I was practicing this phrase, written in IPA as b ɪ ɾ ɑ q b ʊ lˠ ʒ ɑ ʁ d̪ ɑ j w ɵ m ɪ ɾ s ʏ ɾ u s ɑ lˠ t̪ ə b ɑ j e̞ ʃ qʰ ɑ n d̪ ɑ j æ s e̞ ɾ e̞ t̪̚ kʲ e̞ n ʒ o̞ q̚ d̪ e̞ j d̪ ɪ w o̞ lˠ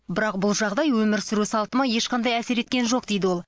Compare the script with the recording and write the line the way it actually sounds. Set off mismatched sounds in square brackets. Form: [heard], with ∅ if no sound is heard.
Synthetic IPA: b ɪ ɾ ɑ q b ʊ lˠ ʒ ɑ ʁ d̪ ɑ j w ɵ m ɪ ɾ s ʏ ɾ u s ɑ lˠ t̪ ə [m] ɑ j e̞ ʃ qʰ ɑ n d̪ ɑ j æ s e̞ ɾ e̞ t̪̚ kʲ e̞ n ʒ o̞ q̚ d̪ e̞ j d̪ ɪ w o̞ lˠ